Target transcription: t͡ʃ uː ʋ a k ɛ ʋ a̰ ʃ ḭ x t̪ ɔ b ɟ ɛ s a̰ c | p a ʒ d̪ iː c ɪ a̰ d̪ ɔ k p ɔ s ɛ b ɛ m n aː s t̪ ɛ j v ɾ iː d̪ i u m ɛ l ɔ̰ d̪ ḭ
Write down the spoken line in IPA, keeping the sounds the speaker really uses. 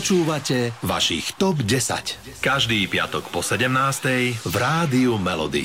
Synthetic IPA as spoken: t͡ʃ uː ʋ a c ɛ ʋ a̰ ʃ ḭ x t̪ ɔ b ɟ ɛ s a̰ c | k a ʒ d̪ iː p ɪ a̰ t̪ ɔ k p ɔ s ɛ ɟ ɛ m n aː s t̪ ɛ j v ɾ aː d̪ i u m ɛ l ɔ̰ d̪ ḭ